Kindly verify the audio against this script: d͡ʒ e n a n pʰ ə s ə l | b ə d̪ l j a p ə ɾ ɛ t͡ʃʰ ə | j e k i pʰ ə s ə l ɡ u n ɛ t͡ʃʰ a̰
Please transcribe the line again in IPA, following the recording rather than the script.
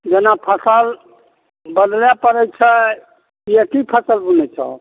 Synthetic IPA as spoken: d͡ʒ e n a pʰ ə s ə l | b ə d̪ l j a p ə ɾ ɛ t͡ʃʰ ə | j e k i pʰ ə s ə l b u n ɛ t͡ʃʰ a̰